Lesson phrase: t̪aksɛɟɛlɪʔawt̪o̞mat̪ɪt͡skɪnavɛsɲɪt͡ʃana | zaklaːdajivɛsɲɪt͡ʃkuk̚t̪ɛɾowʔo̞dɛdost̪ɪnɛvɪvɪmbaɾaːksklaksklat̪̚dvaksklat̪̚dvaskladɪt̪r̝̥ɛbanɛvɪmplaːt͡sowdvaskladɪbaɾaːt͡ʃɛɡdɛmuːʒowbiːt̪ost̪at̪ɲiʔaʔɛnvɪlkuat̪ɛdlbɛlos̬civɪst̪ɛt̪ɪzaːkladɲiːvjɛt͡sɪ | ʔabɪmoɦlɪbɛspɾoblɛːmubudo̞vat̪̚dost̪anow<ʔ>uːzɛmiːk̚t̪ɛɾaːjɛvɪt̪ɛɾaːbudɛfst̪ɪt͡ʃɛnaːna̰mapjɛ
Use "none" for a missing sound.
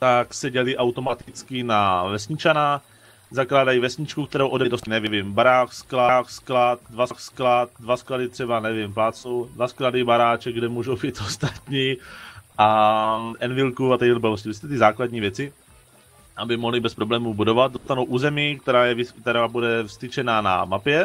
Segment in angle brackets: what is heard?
ʔ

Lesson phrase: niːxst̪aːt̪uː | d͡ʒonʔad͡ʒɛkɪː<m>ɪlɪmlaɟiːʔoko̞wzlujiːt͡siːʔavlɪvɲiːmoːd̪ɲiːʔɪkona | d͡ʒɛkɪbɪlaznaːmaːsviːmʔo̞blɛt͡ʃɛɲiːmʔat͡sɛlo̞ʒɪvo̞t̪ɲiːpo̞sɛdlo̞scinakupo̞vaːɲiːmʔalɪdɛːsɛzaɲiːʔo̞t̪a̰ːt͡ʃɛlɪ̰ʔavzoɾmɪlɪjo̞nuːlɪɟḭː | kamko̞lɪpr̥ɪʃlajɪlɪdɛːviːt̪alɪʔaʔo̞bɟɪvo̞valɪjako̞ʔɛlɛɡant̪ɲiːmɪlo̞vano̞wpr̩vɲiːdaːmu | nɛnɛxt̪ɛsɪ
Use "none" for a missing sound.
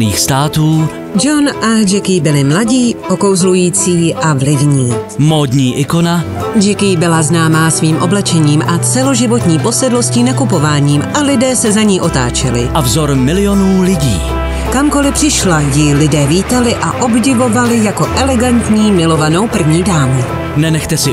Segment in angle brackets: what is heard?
b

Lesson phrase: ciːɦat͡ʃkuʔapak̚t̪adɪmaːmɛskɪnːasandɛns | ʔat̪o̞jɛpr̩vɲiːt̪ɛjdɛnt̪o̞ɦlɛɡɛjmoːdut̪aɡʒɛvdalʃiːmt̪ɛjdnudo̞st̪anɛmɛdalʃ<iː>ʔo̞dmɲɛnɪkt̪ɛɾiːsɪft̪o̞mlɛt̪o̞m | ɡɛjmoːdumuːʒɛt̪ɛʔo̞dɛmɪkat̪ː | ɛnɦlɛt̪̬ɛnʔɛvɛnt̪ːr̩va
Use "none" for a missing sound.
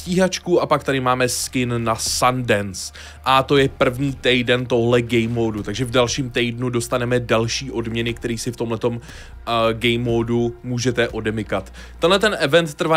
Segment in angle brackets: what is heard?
iː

